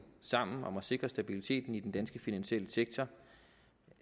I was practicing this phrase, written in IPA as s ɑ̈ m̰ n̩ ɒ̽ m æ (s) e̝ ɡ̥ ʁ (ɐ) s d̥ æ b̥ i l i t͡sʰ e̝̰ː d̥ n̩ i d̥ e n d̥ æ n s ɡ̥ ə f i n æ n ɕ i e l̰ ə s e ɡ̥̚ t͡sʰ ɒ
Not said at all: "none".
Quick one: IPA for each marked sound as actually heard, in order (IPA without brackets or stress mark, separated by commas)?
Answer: s, ɐ